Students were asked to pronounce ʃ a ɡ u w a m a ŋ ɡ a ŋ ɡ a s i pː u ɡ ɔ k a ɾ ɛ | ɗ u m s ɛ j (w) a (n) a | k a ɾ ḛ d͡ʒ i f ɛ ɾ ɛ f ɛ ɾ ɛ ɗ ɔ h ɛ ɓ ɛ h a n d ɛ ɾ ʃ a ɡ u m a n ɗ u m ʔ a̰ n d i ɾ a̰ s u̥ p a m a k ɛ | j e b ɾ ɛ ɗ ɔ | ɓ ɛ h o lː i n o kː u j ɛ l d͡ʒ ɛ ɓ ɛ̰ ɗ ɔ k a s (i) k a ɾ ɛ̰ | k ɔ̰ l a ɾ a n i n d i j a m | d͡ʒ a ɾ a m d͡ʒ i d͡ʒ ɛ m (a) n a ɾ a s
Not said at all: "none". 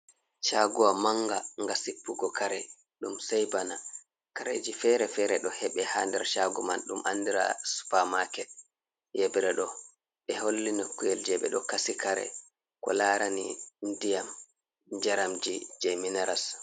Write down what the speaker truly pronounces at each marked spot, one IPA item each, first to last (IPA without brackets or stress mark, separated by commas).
b, n, i, i